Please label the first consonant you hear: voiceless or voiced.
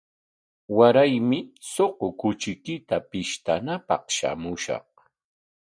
voiced